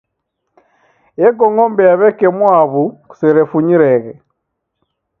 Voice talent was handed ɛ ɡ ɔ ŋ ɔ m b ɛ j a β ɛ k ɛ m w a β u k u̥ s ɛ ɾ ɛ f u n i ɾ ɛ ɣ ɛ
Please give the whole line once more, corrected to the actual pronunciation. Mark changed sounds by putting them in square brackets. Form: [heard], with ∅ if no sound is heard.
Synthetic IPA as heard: ɛ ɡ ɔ ŋ ɔ m b ɛ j a β ɛ k ɛ m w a β u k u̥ s ɛ ɾ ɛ f u [ɲ] i ɾ ɛ ɣ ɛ